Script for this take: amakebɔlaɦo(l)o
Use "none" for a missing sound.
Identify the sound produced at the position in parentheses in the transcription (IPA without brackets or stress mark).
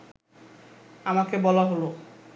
l